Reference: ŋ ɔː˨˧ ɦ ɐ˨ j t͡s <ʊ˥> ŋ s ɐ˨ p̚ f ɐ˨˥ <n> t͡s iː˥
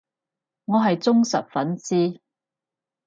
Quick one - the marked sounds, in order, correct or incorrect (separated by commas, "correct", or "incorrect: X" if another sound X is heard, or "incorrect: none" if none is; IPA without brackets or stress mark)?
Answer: correct, correct